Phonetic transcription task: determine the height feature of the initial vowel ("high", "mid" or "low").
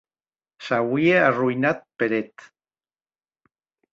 low